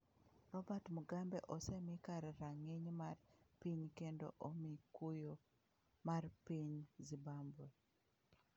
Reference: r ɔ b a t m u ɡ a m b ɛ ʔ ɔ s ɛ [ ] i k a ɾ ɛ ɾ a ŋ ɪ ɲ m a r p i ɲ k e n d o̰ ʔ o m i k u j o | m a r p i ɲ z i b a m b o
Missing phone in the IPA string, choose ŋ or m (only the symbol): m